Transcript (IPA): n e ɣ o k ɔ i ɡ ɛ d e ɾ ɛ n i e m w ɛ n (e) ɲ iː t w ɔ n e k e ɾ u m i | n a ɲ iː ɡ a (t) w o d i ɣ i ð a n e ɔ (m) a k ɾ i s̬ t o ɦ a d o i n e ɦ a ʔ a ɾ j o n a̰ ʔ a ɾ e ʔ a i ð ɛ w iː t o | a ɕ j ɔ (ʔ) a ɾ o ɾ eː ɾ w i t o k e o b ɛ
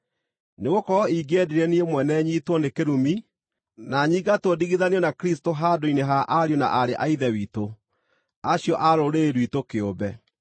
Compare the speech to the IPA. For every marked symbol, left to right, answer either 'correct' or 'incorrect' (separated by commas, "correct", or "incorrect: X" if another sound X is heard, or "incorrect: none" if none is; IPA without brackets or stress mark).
incorrect: ɛ, correct, incorrect: n, correct